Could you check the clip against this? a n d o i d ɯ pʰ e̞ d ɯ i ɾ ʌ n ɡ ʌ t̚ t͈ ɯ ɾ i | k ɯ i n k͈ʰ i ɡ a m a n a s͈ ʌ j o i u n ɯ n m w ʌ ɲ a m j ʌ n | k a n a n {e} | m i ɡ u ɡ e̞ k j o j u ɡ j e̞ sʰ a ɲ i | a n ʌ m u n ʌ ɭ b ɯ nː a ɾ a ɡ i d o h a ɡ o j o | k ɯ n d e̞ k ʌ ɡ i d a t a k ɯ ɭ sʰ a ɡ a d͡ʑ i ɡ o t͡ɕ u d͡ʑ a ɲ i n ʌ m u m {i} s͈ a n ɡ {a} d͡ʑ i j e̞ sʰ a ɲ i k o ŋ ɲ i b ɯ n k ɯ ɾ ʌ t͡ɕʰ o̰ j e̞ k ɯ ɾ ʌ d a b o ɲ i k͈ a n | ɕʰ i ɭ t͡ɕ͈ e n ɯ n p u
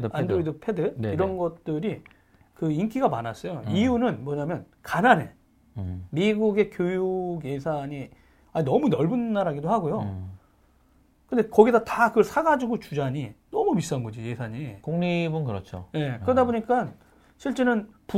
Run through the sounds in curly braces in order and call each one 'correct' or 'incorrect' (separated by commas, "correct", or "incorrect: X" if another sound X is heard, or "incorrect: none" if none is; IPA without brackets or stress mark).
correct, correct, incorrect: ʌ